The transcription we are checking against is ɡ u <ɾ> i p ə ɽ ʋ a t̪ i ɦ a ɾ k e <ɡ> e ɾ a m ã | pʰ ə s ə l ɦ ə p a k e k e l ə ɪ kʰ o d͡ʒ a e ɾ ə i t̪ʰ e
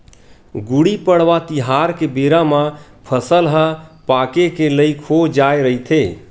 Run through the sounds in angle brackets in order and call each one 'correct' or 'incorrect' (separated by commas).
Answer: incorrect, incorrect